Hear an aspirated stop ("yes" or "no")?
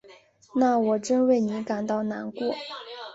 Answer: no